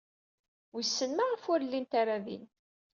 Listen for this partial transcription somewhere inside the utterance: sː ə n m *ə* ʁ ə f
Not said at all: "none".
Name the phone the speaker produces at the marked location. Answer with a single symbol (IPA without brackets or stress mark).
a